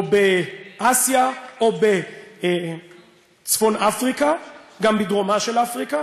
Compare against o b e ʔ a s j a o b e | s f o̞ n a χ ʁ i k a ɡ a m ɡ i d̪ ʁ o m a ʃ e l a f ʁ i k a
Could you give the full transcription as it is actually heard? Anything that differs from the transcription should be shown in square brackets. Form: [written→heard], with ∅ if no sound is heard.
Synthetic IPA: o b e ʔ a s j a o b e | [s→t͡s] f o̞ n a [χ→f] ʁ i k a ɡ a m [ɡ→b] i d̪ ʁ o m a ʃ e l a f ʁ i k a